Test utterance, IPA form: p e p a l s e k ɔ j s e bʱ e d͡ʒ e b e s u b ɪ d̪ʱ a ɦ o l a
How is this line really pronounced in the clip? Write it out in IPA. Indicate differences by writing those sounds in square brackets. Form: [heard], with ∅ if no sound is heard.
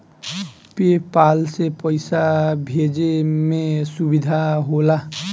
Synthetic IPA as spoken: p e p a l s e [p] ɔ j s [a] bʱ e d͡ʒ e [m] e s u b [i] d̪ʱ a ɦ o l a